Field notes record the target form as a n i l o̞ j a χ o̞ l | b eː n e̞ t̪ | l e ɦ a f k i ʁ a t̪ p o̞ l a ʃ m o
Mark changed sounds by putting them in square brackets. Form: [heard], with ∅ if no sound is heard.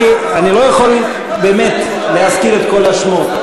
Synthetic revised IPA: a n i l o̞ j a χ o̞ l | b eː [m] e̞ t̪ | l e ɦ a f k i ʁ [e] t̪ [k] o̞ l a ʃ m o